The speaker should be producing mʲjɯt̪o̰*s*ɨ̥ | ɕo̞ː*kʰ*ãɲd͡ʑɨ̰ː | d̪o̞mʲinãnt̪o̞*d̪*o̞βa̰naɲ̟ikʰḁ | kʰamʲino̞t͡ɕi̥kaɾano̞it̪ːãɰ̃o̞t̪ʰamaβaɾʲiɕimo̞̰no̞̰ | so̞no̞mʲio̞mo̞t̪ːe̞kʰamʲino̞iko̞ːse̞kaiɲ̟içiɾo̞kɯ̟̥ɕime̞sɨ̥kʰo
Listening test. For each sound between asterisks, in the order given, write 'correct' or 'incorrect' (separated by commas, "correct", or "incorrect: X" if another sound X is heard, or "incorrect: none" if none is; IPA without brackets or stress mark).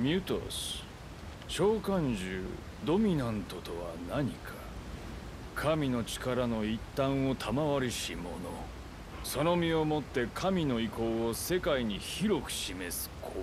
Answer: correct, incorrect: k, incorrect: t̪